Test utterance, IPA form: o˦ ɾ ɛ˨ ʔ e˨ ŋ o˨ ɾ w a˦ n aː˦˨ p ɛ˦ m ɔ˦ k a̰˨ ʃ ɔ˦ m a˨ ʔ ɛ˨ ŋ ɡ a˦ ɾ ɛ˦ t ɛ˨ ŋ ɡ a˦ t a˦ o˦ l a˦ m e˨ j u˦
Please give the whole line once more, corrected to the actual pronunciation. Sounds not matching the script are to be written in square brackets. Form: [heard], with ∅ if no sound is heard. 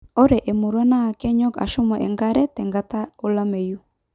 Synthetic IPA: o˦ ɾ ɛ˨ ʔ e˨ [m] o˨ ɾ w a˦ n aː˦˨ [k] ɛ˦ [ɲ] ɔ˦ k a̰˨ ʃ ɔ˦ m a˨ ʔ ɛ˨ ŋ ɡ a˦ ɾ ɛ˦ t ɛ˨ ŋ ɡ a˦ t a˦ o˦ l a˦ m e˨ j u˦